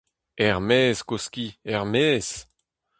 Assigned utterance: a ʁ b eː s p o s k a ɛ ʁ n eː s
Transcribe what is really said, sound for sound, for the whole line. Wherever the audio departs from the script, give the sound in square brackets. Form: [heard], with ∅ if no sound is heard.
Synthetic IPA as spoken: [ɛ] ʁ [m] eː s [k] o s k [i] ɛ ʁ [m] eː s